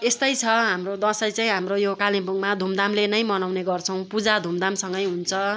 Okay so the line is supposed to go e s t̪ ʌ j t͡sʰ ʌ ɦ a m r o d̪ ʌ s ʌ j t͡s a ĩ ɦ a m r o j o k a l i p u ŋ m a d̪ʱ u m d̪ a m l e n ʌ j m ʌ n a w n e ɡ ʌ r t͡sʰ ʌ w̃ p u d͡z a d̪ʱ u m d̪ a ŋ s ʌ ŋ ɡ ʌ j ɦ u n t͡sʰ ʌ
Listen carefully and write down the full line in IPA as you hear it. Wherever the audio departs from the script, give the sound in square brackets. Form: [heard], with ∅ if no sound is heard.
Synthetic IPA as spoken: e s t̪ ʌ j t͡sʰ ʌ ɦ a m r o d̪ ʌ s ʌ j t͡s a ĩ ɦ a m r o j o k a l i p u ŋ m a d̪ʱ u m d̪ a m l e n ʌ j m ʌ n a w n e ɡ ʌ r t͡sʰ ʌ w̃ p u d͡z a d̪ʱ u m d̪ a [m] s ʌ ŋ ɡ ʌ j ɦ u n t͡sʰ ʌ